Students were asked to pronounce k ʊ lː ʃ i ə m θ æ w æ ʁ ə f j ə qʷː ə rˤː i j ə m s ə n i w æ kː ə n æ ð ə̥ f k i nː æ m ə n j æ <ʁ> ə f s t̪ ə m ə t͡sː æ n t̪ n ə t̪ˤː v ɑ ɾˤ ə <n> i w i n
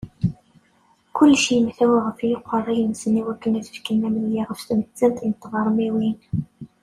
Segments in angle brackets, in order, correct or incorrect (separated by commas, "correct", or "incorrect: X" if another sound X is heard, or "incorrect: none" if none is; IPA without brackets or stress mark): correct, incorrect: m